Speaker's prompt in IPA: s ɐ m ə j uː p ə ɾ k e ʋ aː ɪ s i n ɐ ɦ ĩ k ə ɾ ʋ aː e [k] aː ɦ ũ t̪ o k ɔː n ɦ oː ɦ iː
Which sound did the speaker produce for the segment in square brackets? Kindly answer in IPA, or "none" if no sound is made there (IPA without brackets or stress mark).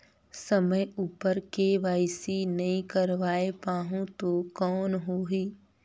p